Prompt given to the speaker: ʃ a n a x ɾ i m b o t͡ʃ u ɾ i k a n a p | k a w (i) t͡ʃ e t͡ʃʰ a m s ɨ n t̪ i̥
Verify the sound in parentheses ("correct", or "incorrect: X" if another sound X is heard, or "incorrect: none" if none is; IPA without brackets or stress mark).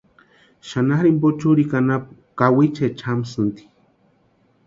correct